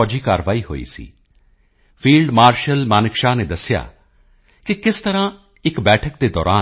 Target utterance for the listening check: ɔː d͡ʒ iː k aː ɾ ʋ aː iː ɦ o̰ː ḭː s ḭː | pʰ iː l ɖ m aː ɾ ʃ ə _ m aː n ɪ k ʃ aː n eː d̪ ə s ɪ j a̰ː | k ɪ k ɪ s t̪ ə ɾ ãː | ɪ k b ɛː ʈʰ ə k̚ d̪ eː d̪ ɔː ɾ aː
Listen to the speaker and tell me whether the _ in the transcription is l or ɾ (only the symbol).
l